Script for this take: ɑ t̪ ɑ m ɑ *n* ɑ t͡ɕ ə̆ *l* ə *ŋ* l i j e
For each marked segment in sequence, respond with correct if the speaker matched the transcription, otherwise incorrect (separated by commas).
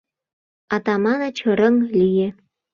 correct, incorrect, correct